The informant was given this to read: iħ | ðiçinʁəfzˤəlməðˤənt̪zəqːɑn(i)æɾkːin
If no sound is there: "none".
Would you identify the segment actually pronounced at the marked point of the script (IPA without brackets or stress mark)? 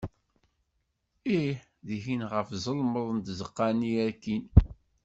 i